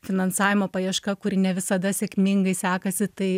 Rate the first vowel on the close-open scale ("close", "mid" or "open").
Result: close